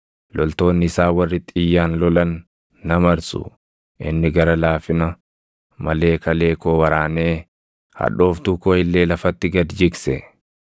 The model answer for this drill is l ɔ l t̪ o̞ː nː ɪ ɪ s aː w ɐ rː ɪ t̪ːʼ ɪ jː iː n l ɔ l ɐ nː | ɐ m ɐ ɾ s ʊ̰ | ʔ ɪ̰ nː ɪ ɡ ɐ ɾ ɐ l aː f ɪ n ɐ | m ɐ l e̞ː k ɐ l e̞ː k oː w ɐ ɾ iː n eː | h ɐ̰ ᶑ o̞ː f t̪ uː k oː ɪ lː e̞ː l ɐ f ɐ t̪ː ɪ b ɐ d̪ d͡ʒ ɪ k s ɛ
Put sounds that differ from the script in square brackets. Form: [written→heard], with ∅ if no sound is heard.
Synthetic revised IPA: l ɔ l t̪ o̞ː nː ɪ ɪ s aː w ɐ rː ɪ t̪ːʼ ɪ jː [iː→aː] n l ɔ l ɐ nː | ɐ m ɐ ɾ s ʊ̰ | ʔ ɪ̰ nː ɪ ɡ ɐ ɾ ɐ l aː f ɪ n ɐ | m ɐ l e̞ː k ɐ l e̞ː k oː w ɐ ɾ [iː→aː] n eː | h ɐ̰ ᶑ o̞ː f t̪ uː k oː ɪ lː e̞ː l ɐ f ɐ t̪ː ɪ [b→ɡ] ɐ d̪ d͡ʒ ɪ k s ɛ